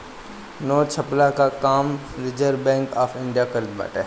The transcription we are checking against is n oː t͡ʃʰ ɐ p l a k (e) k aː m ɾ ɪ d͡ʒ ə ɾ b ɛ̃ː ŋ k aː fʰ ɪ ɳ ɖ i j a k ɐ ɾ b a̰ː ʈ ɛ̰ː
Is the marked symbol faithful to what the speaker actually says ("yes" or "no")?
no